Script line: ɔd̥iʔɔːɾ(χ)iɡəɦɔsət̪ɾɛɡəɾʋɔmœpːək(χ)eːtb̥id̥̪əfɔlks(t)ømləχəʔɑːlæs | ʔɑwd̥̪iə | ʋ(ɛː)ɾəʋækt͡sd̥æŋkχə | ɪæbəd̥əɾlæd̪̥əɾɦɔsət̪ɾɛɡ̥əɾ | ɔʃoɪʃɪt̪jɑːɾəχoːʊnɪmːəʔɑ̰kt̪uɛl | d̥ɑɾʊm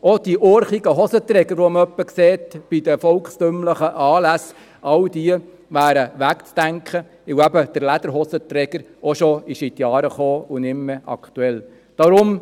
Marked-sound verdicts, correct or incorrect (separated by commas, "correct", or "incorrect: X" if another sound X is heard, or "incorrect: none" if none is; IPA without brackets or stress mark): correct, incorrect: s, correct, incorrect: æː